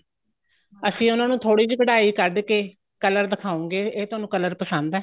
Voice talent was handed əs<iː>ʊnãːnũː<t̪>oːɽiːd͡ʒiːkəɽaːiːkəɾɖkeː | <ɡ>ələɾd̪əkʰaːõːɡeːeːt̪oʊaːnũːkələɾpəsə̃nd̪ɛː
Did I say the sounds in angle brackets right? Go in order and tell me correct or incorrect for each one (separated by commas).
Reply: incorrect, incorrect, incorrect